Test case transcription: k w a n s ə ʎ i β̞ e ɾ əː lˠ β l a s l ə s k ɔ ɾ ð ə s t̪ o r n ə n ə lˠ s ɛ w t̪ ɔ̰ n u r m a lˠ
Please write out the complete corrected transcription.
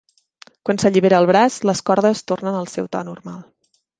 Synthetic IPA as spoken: k w a n s ə ʎ i β̞ e ɾ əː lˠ β ɾ a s l ə s k ɔ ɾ ð ə s t̪ o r n ə n ə lˠ s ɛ w t̪ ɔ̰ n u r m a lˠ